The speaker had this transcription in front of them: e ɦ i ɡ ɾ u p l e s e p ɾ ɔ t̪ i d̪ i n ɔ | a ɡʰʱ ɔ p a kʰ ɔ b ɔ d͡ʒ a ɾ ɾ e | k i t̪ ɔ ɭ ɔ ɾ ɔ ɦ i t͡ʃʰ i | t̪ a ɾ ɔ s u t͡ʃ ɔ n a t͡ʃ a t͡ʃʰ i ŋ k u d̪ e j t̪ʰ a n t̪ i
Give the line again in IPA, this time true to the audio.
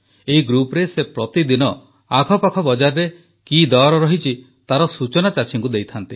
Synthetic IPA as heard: e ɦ i ɡ ɾ u p ɾ e s e p ɾ ɔ t̪ i d̪ i n ɔ | a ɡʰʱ ɔ p a kʰ ɔ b ɔ d͡ʒ a ɾ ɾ e | k i d̪ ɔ ɾ ɔ ɾ ɔ ɦ i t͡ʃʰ i | t̪ a ɾ ɔ s u t͡ʃ ɔ n a t͡ʃ a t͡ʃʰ i ŋ k u d̪ e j t̪ʰ a n t̪ i